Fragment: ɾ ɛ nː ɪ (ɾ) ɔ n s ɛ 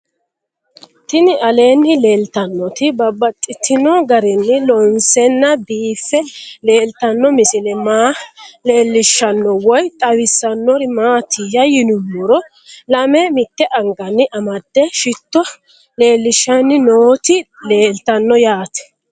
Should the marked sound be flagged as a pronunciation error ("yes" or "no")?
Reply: yes